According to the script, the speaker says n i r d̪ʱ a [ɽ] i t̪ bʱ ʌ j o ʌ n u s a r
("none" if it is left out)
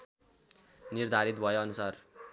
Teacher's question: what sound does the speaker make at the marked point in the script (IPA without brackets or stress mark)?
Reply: ɾ